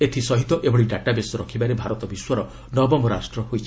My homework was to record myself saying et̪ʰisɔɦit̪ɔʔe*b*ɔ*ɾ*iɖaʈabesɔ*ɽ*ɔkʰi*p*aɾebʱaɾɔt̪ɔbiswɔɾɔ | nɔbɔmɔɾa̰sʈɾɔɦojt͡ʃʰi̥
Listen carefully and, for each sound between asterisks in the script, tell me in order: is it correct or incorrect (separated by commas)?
correct, incorrect, incorrect, incorrect